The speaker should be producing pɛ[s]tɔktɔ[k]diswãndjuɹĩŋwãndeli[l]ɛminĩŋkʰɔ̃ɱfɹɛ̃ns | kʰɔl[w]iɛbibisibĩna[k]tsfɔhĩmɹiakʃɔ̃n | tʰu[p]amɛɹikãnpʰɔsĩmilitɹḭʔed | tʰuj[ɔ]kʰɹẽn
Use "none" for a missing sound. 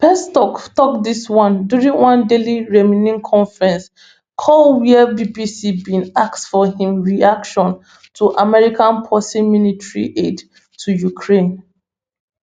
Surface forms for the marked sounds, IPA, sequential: s, k, ɹ, w, k, ʔ, u

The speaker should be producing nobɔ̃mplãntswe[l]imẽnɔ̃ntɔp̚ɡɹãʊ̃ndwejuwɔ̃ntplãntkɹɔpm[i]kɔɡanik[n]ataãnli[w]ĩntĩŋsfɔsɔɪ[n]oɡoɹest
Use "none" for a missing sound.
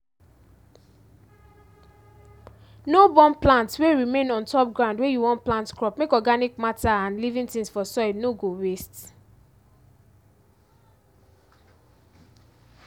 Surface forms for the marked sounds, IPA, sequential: ɹ, e, m, v, n

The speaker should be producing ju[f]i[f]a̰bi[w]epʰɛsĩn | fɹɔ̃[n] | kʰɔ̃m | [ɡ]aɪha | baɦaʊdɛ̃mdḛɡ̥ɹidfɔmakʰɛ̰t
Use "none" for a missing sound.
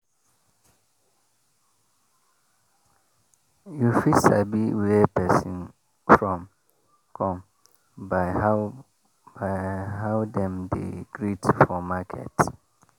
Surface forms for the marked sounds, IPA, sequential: f, s, w, m, b

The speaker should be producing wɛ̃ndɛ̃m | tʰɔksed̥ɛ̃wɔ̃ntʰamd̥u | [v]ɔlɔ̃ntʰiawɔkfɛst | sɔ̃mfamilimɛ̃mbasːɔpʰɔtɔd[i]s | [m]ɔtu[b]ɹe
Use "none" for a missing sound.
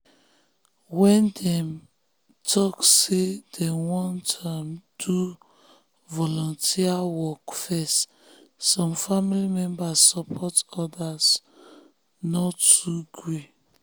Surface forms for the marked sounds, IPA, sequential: v, a, n, ɡ

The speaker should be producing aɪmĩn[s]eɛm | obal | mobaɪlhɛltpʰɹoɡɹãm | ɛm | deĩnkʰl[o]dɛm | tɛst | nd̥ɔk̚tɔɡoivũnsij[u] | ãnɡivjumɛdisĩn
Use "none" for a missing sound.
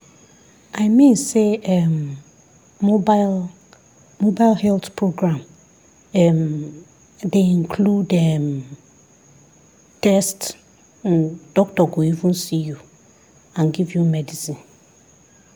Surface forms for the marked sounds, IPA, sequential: s, u, u

